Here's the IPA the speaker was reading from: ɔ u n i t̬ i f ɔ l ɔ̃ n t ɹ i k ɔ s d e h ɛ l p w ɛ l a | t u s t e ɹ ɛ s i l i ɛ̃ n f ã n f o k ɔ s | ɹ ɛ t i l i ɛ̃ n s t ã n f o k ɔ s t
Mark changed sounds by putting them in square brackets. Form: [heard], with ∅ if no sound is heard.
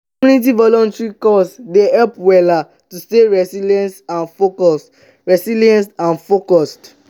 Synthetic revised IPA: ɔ u n i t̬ i [v] ɔ l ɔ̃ n t ɹ i k ɔ s d e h ɛ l p w ɛ l a | t u s t e ɹ ɛ s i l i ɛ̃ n [s] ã n f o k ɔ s | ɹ ɛ [s] i l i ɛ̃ n s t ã n f o k ɔ s t